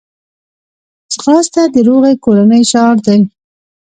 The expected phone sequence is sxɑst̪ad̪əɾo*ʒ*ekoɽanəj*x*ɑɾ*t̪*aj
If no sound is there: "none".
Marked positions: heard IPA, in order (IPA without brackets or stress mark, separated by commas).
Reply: ɣ, ʃ, d̪